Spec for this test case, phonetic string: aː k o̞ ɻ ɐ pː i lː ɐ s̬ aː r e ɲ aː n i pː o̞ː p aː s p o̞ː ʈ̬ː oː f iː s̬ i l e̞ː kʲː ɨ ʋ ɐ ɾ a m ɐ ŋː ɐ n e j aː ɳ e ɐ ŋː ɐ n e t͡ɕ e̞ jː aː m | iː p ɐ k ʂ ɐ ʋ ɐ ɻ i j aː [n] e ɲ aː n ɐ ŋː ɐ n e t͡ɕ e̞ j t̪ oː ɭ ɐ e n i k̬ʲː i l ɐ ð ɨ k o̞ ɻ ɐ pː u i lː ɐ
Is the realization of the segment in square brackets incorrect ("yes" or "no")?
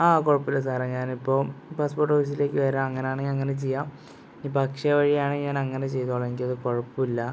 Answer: yes